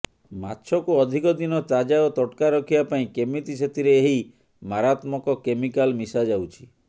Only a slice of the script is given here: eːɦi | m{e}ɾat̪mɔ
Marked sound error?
yes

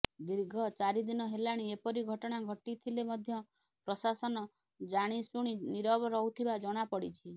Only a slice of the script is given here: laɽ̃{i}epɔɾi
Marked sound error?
no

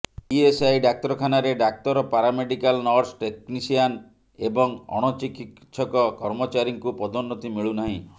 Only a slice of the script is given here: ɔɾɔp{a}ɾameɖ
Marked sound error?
no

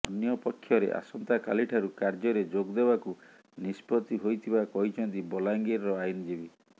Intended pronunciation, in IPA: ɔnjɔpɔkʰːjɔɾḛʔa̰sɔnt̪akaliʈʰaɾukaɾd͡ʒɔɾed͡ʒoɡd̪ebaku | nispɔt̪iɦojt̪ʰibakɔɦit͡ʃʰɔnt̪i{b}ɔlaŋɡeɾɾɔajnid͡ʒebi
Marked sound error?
no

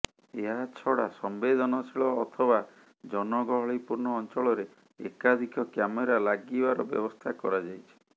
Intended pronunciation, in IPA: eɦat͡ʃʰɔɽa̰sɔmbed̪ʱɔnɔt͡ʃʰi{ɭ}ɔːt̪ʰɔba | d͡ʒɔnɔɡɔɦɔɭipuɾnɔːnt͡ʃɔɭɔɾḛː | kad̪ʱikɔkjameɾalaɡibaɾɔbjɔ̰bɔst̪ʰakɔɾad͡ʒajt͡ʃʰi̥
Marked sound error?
no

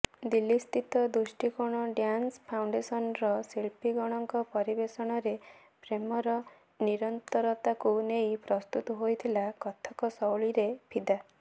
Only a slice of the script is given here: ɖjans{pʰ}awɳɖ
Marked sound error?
no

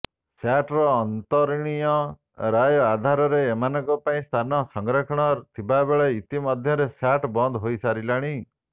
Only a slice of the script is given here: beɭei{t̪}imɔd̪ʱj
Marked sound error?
no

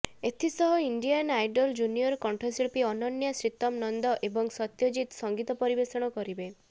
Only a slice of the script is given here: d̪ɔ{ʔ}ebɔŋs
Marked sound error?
no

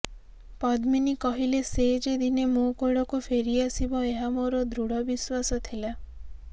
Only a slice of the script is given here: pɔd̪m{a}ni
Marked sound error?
yes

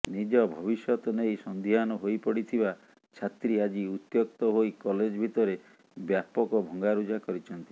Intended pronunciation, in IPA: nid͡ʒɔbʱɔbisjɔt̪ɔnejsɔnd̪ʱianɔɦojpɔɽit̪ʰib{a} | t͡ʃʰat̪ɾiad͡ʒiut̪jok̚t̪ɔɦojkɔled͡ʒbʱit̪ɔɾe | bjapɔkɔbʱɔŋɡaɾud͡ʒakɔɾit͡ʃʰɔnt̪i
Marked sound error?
no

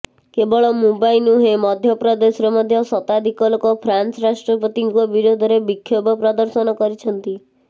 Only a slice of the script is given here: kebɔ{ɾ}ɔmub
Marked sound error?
yes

